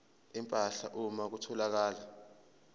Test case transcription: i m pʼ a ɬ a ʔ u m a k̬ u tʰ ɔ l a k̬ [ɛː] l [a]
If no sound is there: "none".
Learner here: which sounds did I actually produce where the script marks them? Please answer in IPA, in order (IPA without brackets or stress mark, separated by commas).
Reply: aː, a